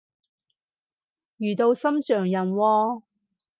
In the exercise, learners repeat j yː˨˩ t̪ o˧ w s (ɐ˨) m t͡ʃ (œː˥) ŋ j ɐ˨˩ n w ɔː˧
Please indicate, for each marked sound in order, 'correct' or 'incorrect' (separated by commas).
incorrect, incorrect